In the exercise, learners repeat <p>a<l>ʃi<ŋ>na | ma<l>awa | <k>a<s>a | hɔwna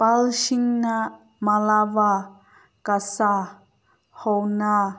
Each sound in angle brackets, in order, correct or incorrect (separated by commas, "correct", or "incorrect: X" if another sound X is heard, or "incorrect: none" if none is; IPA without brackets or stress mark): correct, correct, correct, correct, correct, correct